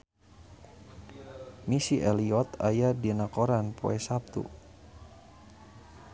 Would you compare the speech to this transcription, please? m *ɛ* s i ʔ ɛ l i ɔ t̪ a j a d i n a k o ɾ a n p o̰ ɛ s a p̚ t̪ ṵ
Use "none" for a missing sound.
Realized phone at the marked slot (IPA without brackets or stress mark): i